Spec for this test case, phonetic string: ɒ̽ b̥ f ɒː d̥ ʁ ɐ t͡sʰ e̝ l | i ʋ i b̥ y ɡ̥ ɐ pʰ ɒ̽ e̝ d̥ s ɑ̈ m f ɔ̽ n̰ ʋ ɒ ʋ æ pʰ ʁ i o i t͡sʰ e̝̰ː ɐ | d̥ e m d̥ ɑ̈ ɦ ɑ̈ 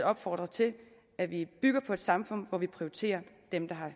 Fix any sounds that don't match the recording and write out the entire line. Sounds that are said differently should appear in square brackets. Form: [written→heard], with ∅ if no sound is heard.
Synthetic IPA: ɒ̽ b̥ f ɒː d̥ ʁ ɐ t͡sʰ e̝ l | [i→æ] ʋ i b̥ y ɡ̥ ɐ pʰ ɒ̽ e̝ d̥ s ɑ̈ m f ɔ̽ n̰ ʋ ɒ ʋ [æ→i] pʰ ʁ i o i t͡sʰ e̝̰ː ɐ | d̥ e m d̥ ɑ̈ ɦ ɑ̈